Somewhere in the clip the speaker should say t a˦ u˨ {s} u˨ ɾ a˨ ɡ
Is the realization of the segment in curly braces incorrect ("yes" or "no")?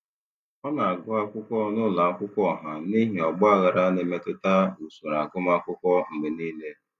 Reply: no